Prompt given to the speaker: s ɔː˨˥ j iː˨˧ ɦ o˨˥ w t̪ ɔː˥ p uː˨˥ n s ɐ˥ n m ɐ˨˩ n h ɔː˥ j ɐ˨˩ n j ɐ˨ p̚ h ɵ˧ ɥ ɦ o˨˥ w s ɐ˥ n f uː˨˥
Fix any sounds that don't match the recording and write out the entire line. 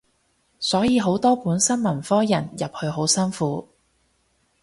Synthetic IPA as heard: s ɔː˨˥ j iː˨˧ ɦ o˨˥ w t̪ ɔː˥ p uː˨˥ n s ɐ˥ n m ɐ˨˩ n f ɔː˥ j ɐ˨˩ n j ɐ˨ p̚ h ɵ˧ ɥ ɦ o˨˥ w s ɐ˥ n f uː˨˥